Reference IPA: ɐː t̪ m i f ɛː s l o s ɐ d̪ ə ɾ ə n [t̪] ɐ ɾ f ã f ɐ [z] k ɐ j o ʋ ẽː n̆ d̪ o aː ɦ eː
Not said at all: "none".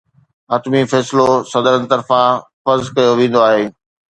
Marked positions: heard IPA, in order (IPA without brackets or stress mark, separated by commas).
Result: t̪, z